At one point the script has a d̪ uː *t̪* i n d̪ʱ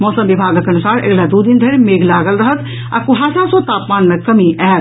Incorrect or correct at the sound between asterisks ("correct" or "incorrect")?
incorrect